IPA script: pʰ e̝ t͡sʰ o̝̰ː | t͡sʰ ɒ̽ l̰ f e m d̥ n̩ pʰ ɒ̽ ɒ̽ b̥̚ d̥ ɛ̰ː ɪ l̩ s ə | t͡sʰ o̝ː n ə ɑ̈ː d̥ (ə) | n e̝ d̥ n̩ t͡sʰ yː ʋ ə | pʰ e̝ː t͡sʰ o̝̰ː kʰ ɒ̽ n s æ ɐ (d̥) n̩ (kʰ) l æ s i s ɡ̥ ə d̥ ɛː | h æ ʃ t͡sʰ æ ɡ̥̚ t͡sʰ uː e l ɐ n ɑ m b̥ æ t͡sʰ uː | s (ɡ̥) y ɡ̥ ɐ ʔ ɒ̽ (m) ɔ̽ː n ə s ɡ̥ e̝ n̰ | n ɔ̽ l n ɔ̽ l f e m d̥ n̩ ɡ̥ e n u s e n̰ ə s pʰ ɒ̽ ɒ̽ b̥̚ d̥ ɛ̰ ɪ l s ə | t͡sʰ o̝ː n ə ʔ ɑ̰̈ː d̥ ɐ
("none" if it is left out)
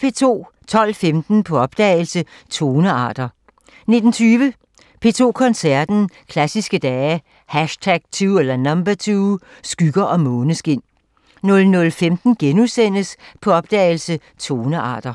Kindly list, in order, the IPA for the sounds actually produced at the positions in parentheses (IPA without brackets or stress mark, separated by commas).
ɐ, d̥, kʰ, ɡ̥, m